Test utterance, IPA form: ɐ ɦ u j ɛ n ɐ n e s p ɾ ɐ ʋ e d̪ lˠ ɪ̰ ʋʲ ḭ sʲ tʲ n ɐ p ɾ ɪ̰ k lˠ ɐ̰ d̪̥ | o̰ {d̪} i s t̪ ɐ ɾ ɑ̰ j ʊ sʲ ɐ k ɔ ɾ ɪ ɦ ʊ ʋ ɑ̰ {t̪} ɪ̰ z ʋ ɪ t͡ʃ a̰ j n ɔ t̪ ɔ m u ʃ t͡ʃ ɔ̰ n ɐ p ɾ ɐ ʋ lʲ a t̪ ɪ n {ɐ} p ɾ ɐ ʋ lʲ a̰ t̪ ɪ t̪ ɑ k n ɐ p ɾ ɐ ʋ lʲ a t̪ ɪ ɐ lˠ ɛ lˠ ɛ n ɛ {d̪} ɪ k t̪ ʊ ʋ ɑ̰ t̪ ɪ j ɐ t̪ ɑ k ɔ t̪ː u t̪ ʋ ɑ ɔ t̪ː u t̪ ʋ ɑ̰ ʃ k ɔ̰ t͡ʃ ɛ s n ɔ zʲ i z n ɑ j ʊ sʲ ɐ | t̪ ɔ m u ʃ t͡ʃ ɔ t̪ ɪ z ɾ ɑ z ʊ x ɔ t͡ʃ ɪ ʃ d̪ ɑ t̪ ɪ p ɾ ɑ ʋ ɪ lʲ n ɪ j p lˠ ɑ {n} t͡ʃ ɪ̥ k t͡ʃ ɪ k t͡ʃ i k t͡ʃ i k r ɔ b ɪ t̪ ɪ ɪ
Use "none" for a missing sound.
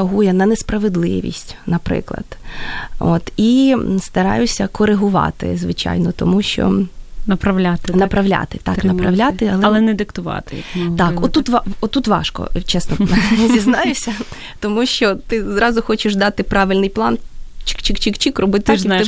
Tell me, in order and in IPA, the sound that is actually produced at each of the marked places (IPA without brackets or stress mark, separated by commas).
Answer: t̪, t̪, ɐ, d̪, n